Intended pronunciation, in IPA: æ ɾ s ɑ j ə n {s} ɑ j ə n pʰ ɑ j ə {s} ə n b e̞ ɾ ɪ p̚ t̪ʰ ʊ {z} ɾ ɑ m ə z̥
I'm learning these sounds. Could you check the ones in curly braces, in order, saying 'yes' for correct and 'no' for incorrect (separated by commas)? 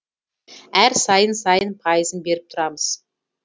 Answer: yes, no, no